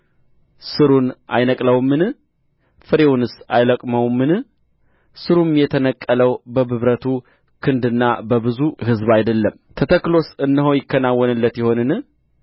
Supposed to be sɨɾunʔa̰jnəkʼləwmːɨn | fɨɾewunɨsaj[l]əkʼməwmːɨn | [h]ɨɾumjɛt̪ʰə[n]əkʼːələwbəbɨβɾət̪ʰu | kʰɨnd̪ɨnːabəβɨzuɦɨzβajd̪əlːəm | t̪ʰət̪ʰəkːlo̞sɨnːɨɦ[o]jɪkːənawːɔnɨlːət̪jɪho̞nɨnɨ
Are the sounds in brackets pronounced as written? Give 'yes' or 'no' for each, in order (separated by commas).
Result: yes, no, yes, yes